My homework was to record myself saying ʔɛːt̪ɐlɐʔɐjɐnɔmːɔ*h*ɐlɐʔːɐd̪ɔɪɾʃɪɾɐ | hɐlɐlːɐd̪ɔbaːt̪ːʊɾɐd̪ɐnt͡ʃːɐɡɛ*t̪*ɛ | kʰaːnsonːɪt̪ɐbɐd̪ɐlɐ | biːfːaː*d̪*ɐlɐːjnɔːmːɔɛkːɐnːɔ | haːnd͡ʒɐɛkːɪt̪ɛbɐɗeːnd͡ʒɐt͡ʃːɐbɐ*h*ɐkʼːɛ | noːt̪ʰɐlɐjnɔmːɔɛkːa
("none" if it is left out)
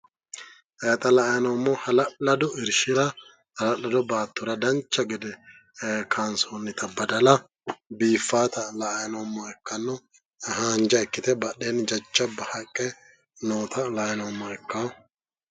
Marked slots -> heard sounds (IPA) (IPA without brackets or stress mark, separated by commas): h, d̪, t̪, h